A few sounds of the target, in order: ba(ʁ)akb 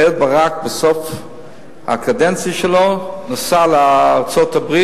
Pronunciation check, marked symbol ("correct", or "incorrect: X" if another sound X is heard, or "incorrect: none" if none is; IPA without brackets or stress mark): correct